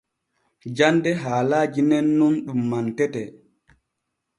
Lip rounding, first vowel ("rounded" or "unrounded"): unrounded